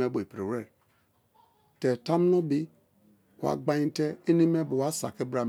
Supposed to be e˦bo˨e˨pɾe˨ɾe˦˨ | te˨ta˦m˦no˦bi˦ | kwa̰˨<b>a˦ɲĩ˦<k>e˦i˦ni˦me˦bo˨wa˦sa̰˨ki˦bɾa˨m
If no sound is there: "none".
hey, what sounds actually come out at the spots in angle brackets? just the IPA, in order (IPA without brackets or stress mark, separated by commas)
ɡ͡b, t